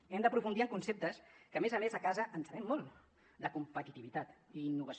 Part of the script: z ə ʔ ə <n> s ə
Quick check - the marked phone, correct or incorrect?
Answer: correct